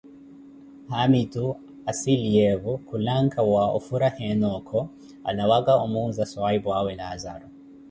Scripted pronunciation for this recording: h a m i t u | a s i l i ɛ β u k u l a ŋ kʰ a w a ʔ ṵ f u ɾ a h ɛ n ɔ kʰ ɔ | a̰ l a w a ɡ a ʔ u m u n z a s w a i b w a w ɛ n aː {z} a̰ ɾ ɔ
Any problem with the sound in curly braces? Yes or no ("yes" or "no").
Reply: no